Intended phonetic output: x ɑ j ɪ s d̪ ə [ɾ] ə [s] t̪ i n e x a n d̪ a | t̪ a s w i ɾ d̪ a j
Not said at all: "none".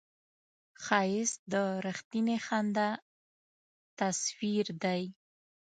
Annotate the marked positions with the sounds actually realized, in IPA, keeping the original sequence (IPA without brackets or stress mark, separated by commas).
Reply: ɾ, x